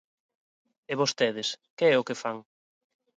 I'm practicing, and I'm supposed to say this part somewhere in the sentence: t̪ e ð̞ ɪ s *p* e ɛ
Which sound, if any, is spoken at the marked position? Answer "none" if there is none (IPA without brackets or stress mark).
k